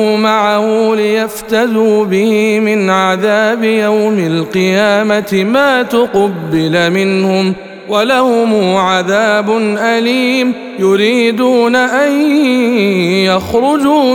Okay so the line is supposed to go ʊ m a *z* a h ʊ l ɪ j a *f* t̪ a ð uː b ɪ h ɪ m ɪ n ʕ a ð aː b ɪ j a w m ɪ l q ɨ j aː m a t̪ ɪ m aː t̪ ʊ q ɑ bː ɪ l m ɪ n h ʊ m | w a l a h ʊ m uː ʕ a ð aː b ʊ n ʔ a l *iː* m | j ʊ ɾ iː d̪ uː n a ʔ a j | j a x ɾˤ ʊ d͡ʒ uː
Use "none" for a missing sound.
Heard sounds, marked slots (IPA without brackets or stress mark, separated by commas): ʕ, f, iː